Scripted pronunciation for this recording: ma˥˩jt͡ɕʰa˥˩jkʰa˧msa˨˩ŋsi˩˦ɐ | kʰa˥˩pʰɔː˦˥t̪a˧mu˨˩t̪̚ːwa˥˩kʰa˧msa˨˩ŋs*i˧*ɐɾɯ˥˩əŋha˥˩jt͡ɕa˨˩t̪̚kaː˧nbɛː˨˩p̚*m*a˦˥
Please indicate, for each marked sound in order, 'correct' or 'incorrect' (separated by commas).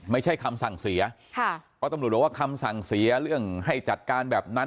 incorrect, incorrect